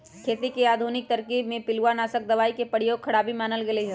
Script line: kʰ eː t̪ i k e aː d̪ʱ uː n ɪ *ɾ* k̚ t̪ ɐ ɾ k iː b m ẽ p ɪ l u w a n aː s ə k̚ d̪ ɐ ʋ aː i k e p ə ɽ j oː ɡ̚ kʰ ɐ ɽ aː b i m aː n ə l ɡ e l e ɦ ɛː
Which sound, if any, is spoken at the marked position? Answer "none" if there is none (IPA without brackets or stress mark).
none